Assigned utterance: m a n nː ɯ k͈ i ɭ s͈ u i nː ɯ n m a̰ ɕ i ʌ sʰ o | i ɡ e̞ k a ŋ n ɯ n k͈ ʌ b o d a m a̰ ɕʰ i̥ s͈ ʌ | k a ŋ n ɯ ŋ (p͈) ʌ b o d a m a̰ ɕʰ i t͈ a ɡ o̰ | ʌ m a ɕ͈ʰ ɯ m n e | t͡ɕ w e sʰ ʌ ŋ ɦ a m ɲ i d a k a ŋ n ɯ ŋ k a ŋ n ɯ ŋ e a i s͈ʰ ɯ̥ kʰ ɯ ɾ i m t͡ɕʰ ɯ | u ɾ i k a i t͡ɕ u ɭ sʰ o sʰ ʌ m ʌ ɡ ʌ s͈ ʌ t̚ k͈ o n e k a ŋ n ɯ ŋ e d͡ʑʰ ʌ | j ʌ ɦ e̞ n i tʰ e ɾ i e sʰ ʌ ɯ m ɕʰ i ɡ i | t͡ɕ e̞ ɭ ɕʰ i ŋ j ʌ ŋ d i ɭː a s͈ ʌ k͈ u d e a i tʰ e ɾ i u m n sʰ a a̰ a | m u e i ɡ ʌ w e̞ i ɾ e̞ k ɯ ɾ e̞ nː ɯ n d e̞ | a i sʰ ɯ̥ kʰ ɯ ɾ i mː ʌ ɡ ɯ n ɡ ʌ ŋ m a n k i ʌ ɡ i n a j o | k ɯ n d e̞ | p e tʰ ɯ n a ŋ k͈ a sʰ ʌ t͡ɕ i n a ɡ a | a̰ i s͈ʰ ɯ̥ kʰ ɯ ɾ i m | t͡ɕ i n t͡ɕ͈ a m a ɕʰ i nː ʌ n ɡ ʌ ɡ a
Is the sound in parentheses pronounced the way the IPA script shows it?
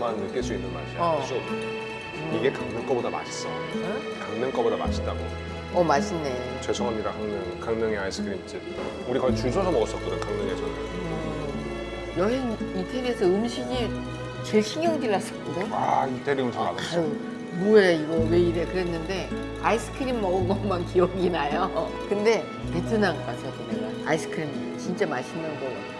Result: no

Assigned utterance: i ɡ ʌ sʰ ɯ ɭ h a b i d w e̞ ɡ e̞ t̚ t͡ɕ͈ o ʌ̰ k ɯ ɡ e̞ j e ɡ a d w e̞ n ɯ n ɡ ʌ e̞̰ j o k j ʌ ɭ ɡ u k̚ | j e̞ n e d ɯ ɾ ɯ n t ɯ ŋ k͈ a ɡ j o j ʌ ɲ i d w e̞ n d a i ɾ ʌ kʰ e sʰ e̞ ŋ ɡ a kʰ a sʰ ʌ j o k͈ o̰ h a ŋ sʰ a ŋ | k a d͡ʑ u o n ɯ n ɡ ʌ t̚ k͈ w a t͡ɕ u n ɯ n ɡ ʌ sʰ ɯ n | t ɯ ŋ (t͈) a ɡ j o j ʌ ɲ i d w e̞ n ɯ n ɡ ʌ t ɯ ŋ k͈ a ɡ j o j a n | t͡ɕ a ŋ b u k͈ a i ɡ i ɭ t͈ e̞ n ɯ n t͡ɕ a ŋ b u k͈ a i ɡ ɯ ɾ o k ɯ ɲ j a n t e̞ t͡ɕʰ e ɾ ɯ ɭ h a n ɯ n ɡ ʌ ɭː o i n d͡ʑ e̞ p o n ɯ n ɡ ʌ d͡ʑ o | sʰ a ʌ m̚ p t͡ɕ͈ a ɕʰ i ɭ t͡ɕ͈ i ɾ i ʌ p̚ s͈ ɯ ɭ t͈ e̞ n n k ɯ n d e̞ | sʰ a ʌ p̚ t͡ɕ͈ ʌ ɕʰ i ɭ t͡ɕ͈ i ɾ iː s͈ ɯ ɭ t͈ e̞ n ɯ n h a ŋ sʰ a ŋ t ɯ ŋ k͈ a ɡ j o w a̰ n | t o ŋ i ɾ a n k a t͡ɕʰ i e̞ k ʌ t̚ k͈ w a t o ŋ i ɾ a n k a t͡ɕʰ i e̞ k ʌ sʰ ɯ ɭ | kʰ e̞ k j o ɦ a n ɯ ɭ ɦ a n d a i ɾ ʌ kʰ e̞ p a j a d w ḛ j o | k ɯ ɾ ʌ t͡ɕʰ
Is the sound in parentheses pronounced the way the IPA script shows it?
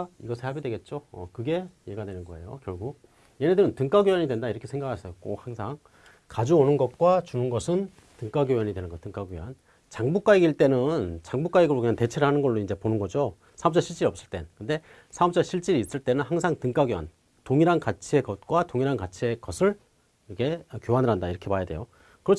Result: no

